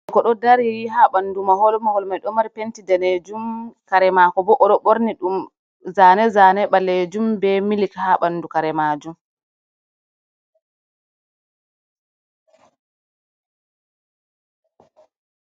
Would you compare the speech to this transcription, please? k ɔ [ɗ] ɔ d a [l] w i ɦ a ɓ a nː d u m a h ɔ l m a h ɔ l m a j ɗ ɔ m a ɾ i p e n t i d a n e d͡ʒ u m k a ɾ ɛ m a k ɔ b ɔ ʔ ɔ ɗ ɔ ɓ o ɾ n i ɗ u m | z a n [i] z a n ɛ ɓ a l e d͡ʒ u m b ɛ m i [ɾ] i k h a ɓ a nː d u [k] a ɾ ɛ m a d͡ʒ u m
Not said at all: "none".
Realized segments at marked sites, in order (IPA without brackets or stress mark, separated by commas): ɗ, ɾ, ɛ, l, k